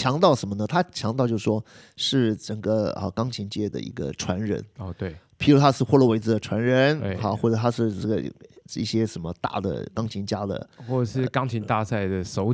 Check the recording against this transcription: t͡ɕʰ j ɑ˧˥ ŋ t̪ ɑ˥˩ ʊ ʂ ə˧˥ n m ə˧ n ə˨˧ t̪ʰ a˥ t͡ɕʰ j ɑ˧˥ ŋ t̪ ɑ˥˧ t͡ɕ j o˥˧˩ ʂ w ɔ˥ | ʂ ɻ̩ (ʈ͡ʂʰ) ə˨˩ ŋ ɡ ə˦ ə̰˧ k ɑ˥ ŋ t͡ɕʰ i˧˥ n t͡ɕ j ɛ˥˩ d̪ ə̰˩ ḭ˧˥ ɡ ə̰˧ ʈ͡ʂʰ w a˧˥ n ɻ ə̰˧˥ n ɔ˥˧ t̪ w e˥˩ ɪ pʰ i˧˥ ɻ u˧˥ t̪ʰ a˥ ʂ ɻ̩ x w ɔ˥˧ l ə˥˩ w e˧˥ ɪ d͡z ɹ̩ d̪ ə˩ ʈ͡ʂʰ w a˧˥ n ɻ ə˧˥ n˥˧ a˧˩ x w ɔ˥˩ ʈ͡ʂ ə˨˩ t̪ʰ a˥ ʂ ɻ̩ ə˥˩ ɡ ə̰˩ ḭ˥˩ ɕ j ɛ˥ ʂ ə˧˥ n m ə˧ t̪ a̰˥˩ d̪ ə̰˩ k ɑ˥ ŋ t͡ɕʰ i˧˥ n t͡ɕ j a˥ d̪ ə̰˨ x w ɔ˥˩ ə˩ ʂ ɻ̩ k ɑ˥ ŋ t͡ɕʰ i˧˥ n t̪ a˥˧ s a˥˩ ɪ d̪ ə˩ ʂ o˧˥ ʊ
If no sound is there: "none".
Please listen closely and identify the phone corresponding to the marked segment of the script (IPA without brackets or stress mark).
ʈ͡ʂ